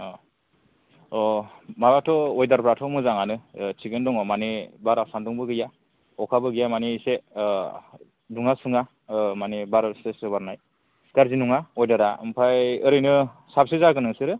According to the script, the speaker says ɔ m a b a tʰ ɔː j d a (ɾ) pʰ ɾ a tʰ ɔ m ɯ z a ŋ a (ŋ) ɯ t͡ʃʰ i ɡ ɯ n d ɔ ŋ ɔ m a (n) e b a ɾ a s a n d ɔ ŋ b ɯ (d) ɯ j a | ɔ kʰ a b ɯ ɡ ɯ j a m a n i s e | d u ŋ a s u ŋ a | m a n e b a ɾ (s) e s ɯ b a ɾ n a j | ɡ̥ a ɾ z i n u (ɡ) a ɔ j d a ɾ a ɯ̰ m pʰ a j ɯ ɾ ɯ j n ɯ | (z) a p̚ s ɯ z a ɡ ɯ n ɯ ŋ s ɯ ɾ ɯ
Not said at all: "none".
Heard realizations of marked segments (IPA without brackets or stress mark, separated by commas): ɾ, n, n, ɡ, s, ŋ, s